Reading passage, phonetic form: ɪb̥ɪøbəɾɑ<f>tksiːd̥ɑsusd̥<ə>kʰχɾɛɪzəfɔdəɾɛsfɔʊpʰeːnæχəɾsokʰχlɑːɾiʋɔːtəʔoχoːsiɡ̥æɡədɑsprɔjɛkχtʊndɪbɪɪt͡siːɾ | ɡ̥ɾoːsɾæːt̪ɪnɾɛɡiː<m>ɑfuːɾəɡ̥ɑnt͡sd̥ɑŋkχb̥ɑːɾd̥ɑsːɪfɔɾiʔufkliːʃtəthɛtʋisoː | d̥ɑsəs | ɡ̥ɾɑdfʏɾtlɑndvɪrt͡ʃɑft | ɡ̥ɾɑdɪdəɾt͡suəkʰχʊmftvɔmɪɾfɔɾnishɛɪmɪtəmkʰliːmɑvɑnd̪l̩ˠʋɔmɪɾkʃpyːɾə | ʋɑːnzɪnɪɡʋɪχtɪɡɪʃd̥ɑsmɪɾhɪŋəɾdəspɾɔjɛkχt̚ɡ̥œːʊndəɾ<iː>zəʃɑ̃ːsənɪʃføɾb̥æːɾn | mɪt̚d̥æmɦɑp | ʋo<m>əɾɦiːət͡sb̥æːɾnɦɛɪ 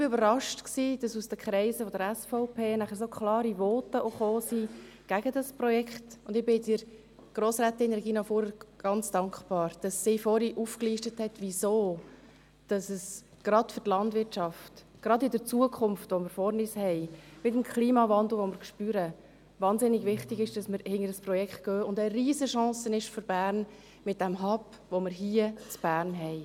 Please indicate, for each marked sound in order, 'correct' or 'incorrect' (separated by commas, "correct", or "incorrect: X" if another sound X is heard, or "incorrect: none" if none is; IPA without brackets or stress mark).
incorrect: ʃ, correct, incorrect: n, correct, correct